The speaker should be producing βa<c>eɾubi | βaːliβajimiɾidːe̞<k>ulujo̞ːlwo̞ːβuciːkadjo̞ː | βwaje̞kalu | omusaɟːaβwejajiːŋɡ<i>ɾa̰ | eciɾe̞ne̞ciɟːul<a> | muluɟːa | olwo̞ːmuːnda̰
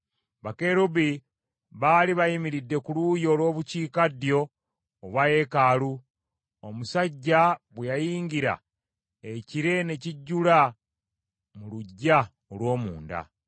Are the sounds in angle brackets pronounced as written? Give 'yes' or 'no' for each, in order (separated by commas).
no, yes, yes, yes